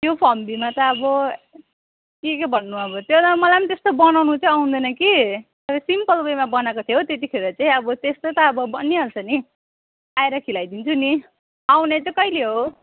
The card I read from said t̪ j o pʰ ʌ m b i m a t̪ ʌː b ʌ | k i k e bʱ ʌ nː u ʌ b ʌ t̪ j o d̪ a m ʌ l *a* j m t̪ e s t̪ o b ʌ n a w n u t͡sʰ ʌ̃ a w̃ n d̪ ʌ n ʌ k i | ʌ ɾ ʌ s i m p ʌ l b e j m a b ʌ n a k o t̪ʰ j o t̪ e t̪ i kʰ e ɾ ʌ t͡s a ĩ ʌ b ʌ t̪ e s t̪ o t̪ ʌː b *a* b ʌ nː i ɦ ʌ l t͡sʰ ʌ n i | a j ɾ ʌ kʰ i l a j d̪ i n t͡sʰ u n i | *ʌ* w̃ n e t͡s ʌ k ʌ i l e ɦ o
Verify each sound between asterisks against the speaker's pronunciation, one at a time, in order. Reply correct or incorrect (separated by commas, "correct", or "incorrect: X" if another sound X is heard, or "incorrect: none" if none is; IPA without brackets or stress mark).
correct, incorrect: ʌ, incorrect: a